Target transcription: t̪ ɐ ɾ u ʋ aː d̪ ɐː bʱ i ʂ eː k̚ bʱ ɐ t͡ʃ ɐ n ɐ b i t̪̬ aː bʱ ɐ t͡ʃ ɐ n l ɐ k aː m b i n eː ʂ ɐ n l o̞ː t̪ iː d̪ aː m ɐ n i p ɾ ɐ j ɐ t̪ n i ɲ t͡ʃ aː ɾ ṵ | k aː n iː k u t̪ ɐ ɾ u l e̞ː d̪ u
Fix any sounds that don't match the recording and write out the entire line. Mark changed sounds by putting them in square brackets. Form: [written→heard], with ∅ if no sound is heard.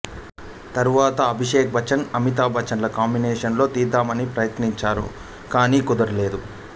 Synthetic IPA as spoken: t̪ ɐ ɾ u ʋ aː [d̪→t̪] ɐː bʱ i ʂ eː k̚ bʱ ɐ t͡ʃ ɐ n ɐ [b→m] i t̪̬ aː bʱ ɐ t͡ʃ ɐ n l ɐ k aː m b i n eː ʂ ɐ n l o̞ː t̪ iː d̪ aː m ɐ n i p ɾ ɐ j ɐ t̪ n i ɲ t͡ʃ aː ɾ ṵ | k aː n iː k u [t̪→d̪] ɐ ɾ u l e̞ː d̪ u